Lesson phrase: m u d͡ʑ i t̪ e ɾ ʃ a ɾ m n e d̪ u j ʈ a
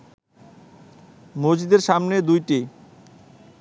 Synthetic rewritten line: m o d͡ʑ i d̪ e ɾ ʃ a m n e d̪ u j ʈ i